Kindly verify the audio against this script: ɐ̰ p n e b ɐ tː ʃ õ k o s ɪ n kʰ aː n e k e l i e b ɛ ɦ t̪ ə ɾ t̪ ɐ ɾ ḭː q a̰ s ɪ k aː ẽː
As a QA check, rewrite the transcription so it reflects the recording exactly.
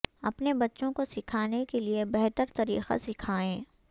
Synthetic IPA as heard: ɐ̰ p n e b ɐ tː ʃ õ k o s ɪ kʰ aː n e k e l i e b ɛ ɦ t̪ ə ɾ t̪ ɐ ɾ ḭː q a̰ s ɪ kʰ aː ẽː